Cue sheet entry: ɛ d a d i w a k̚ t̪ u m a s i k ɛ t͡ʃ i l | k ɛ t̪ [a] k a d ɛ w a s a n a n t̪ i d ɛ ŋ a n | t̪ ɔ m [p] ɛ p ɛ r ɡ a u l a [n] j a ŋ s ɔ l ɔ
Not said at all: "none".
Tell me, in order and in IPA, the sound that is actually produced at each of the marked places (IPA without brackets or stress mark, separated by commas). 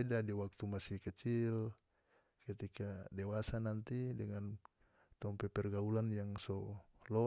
i, p, n